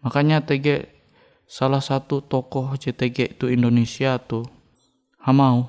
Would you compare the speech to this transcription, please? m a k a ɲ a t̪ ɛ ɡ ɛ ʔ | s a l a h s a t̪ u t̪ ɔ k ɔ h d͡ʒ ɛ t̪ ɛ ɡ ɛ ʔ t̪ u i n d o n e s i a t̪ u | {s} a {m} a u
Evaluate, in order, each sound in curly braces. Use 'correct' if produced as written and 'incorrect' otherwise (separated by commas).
incorrect, correct